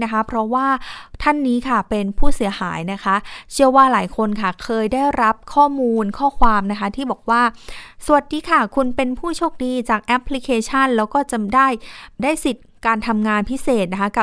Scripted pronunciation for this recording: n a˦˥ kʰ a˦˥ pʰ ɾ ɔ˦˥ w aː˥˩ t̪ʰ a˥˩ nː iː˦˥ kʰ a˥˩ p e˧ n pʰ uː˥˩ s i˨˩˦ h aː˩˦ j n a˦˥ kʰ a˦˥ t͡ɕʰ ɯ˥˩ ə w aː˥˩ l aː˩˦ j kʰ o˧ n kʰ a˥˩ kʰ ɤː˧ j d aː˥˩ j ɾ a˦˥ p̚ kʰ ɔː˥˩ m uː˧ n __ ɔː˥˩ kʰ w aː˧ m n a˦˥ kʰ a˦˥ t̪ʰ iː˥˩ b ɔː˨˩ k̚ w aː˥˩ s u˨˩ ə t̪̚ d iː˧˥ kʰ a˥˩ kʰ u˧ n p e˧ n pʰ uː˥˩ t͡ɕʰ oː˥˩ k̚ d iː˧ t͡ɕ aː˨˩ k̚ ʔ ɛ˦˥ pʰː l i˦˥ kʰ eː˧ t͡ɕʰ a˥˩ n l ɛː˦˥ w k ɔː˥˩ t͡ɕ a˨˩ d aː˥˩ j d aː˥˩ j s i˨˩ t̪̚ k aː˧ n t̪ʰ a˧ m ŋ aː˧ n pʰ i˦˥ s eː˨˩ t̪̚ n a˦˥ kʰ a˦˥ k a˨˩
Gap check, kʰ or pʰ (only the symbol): kʰ